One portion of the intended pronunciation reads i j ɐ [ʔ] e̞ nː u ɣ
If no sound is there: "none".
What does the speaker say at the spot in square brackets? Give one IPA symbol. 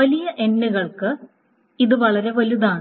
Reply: ʔ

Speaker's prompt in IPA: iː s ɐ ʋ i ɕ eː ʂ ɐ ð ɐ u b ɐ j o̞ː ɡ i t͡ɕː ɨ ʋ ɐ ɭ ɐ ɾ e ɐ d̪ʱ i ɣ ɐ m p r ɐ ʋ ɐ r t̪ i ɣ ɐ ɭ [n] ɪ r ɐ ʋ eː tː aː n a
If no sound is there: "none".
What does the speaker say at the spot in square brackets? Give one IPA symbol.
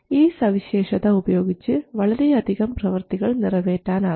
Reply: n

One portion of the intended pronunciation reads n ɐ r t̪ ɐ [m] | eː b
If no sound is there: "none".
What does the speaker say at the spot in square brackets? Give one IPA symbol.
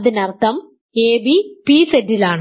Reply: m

